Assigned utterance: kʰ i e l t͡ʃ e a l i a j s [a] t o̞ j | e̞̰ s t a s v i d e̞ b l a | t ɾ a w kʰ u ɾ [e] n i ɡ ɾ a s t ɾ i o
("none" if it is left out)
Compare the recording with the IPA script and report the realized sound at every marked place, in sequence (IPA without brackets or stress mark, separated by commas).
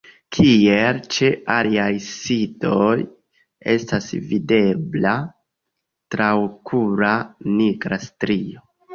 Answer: i, a